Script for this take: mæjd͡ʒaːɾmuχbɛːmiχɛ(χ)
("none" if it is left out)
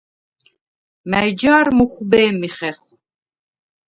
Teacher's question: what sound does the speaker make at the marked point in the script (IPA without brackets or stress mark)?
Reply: χ